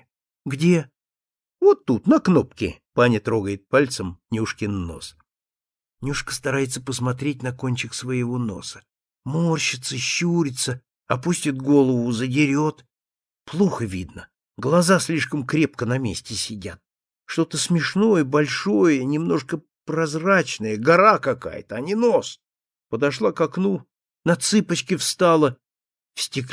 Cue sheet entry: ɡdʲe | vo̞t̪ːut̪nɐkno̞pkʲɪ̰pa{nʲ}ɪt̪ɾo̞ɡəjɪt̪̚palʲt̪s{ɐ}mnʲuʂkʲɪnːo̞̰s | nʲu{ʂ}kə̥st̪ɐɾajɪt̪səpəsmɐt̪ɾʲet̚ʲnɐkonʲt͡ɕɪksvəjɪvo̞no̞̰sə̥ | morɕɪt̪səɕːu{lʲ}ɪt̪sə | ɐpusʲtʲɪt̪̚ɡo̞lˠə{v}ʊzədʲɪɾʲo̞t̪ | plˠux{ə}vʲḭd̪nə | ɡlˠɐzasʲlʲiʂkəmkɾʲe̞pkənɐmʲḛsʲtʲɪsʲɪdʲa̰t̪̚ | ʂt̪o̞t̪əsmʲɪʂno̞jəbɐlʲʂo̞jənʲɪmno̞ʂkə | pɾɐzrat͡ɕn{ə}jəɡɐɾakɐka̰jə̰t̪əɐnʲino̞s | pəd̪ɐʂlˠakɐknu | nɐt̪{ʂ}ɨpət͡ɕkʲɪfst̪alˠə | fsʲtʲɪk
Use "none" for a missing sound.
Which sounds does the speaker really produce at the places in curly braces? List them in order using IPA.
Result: nʲ, ə, ʂ, ɾʲ, v, ə, ə, s

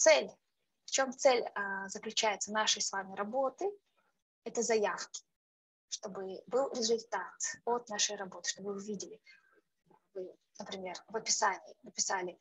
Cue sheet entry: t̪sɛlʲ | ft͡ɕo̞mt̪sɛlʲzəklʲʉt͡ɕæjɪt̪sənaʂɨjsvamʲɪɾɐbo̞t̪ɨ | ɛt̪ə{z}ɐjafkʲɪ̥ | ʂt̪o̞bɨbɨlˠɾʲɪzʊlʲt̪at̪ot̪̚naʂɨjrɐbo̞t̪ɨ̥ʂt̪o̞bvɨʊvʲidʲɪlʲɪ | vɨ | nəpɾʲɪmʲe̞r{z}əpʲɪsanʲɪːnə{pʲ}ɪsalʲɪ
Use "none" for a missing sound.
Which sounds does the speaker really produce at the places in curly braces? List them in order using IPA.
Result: z, v, pʲ

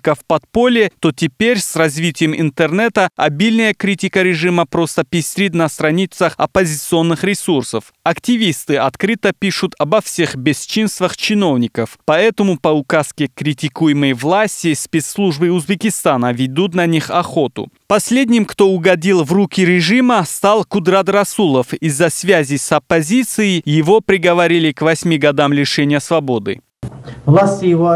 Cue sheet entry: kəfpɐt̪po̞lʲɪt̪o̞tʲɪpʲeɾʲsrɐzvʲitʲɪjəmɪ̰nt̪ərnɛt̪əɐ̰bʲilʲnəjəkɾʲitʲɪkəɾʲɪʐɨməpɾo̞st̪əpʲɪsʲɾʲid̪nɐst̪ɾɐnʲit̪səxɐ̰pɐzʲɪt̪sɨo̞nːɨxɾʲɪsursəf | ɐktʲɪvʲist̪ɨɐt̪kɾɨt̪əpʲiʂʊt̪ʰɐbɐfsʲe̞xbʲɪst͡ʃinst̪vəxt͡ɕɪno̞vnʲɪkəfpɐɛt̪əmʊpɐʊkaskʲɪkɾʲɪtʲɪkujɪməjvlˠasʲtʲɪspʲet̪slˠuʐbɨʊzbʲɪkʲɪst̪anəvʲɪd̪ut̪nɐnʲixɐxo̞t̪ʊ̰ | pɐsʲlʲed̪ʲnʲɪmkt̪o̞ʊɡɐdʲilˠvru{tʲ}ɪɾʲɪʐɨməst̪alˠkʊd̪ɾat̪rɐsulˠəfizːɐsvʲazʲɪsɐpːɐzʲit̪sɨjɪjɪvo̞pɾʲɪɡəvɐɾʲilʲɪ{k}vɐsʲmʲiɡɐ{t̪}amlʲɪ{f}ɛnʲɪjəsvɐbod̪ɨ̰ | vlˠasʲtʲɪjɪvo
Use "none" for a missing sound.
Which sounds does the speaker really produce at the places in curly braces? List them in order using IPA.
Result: kʲ, k, d̪, ʂ

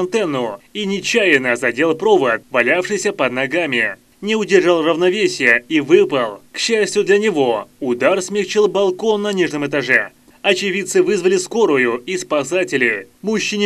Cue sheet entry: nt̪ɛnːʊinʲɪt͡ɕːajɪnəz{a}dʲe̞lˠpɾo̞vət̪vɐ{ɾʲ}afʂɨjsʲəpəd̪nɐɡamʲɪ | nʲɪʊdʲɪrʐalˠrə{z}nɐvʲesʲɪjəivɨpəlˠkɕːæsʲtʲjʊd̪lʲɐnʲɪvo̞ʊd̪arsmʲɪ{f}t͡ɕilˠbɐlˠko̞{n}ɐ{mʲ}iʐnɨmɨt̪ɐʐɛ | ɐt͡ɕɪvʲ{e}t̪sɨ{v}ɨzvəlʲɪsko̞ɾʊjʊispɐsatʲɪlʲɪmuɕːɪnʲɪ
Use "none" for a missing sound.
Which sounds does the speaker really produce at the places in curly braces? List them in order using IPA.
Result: ɐ, lʲ, v, x, nː, nʲ, i, v

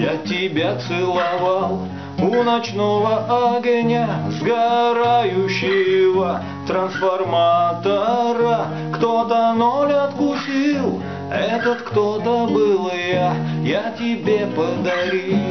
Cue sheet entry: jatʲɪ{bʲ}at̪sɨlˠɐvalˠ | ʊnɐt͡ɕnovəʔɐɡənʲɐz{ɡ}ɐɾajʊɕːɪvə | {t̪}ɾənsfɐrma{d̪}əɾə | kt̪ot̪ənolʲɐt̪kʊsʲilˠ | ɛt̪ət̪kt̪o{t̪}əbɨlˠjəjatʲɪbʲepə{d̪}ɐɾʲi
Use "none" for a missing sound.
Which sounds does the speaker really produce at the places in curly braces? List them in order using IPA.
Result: bʲ, ɡ, t̪, t̪, t̪, d̪

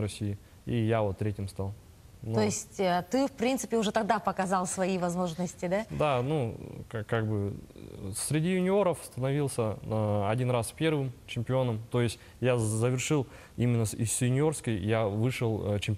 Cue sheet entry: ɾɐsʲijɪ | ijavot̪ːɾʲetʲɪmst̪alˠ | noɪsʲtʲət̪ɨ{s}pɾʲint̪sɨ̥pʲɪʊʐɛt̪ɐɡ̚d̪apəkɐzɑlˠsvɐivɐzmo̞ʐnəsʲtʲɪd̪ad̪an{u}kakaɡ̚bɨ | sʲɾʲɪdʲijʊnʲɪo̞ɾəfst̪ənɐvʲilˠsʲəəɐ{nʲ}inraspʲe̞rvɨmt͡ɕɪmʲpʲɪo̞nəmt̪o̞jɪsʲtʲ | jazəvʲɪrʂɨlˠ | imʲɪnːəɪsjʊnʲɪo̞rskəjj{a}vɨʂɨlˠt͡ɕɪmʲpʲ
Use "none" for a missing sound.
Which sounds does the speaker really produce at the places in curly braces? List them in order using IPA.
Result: f, u, dʲ, a

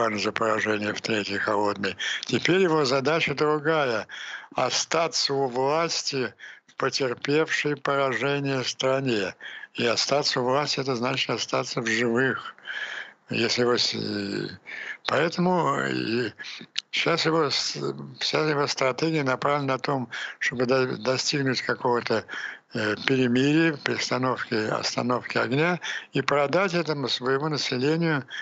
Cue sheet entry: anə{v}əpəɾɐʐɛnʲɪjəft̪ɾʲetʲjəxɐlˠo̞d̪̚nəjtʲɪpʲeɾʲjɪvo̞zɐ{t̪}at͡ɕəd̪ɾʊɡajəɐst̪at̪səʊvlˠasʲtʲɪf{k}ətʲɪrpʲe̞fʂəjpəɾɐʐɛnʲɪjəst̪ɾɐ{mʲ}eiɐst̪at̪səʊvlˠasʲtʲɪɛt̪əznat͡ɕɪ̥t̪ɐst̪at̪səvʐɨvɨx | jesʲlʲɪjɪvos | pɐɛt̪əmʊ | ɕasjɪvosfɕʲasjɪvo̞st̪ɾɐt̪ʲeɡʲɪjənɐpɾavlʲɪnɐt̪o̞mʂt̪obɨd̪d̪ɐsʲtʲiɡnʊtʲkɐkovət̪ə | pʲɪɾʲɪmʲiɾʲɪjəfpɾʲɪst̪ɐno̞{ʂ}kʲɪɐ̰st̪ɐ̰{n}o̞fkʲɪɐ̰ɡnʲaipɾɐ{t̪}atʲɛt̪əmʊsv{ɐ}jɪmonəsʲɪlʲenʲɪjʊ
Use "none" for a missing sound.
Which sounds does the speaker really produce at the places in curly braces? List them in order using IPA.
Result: z, d̪, p, nʲ, f, n, d̪, ə

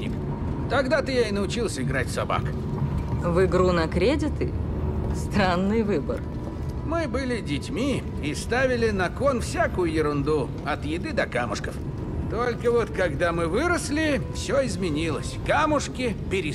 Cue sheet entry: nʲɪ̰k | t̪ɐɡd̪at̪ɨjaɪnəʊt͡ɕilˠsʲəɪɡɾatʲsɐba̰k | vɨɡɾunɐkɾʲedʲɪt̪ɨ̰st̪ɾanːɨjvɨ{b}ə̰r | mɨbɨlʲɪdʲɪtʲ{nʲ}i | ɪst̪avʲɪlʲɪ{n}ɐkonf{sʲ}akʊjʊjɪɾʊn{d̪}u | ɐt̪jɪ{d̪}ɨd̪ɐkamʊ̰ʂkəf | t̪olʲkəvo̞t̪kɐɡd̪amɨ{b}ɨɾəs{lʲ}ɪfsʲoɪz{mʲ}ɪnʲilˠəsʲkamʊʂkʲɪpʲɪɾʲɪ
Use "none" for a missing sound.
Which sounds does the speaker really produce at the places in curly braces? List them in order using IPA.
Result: b, mʲ, n, sʲ, d̪, d̪, v, lʲ, mʲ

